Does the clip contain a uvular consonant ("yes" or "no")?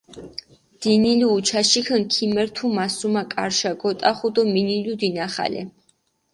yes